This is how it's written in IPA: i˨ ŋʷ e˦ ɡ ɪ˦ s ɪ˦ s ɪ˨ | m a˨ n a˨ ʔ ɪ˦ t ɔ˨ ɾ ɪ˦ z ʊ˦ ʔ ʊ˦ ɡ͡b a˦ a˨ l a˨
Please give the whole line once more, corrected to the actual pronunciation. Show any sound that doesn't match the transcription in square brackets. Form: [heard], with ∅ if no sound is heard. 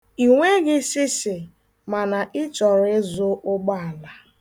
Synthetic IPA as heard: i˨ ŋʷ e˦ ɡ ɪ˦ s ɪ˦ s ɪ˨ | m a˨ n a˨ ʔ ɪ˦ [t͡ʃ] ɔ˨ ɾ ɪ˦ z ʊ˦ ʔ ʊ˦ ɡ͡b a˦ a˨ l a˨